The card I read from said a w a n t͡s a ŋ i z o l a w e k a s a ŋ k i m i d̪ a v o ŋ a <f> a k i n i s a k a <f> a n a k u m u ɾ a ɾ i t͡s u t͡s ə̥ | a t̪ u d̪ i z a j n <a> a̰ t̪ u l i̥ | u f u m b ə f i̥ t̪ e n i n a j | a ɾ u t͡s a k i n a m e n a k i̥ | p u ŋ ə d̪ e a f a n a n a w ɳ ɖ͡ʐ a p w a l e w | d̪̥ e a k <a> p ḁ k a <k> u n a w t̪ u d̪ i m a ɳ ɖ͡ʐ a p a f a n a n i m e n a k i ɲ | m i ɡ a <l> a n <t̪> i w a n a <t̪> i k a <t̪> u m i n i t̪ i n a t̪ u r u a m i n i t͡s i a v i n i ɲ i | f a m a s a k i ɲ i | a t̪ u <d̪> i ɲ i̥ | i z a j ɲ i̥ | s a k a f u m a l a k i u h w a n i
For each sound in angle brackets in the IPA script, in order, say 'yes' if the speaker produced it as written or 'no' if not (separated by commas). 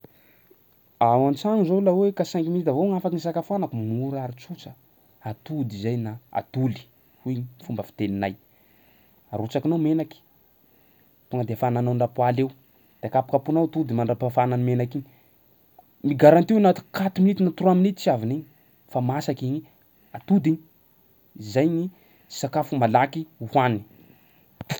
yes, yes, yes, yes, no, no, yes, yes, yes, yes